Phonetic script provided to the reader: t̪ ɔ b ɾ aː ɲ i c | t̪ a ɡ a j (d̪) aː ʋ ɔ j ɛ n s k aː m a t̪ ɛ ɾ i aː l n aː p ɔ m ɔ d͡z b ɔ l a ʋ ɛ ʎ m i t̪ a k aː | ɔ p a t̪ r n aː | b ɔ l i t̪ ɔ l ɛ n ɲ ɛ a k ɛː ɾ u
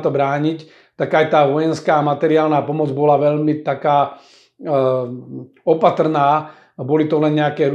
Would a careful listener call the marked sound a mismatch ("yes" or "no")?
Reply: yes